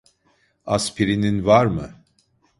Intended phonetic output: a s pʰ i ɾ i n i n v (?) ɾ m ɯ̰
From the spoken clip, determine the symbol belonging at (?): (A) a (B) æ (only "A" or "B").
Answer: A